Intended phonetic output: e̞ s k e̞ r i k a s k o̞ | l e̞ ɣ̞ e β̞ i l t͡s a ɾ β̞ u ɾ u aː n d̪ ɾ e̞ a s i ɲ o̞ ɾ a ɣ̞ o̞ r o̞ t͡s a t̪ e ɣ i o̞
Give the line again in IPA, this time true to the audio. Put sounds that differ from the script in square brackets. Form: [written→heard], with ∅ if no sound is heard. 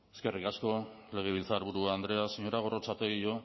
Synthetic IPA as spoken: e̞ s k e̞ r i k a s k o̞ | l e̞ ɣ̞ e β̞ i l t͡s a ɾ β̞ u ɾ u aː n d̪ ɾ e̞ a s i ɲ o̞ ɾ a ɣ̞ o̞ r o̞ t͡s a t̪ e ɣ i o̞